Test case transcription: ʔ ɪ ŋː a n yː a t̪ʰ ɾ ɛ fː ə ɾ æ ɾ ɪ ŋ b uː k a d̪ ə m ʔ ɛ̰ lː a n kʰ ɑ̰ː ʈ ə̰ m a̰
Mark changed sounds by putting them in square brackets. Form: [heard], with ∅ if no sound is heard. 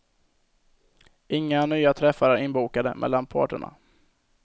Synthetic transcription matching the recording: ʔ ɪ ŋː a n yː a t̪ʰ ɾ ɛ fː [a] ɾ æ ɾ ɪ [n] b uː k a d̪ ə m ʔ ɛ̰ lː a n [pʰ] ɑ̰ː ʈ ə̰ [ɳ] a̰